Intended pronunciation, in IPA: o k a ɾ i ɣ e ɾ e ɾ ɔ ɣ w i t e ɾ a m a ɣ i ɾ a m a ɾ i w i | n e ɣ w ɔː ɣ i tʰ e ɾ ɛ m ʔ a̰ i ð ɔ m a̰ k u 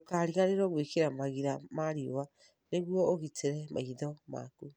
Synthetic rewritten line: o k a ɾ i ɣ a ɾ e ɾ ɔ ɣ w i k e ɾ a m a ɣ i ɾ a m a ɾ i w a | n e ɣ w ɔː ɣ i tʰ e ɾ ɛ m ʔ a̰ i ð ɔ m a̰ k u